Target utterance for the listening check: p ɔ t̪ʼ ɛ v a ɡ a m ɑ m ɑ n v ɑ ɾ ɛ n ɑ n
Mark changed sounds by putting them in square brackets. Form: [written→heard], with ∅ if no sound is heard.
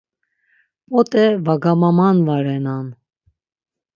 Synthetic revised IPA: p ɔ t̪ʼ ɛ v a ɡ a m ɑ m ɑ n v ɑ ɾ ɛ n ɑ n